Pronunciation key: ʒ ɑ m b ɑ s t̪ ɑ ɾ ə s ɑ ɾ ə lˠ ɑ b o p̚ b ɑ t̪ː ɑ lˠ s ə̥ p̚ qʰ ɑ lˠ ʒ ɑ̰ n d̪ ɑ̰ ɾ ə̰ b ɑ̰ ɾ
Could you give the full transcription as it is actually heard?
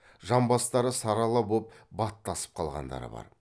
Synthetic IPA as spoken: ʒ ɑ m b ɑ s t̪ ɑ ɾ ə s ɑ ɾ ɑ lˠ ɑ b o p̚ b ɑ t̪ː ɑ s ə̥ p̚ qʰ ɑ lˠ ʁ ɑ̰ n d̪ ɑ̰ ɾ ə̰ b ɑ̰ ɾ